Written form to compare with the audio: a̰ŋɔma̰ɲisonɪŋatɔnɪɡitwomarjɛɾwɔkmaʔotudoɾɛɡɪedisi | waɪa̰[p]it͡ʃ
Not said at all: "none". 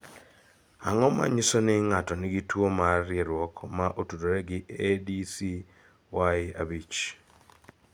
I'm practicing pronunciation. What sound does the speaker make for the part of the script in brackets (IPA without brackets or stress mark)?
b